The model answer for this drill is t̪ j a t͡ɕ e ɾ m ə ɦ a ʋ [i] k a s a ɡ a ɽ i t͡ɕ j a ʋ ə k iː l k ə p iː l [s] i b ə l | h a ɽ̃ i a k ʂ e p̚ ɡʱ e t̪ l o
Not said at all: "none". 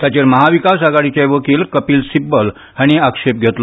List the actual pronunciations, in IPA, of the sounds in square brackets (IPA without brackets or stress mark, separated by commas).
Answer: i, s